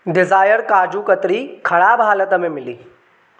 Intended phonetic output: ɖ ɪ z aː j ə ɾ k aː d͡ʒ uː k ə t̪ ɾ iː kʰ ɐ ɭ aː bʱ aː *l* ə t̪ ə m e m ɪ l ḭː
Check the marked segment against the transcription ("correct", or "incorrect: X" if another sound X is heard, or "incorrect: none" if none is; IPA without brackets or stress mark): correct